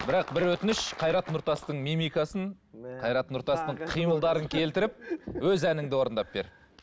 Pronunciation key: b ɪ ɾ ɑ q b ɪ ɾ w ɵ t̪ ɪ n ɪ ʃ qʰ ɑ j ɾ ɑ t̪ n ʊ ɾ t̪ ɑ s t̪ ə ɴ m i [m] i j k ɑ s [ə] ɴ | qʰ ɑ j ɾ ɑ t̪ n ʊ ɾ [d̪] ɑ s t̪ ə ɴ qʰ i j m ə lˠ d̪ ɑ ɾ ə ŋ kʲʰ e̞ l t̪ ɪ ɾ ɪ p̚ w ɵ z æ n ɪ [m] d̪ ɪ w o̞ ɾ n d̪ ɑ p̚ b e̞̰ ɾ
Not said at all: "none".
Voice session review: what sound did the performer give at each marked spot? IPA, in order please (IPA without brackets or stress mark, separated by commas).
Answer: m, ə, t̪, ŋ